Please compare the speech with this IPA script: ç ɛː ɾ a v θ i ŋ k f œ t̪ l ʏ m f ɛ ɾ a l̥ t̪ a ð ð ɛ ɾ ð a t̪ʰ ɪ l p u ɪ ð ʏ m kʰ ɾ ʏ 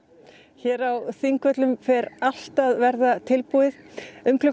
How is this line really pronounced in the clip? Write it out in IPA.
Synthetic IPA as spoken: ç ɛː ɾ a w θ i ŋ k v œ t̪ l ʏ m f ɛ ɾ a l̥ t̪ a ð v ɛ ɾ ð a t̪ʰ ɪ l p u ɪ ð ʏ m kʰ l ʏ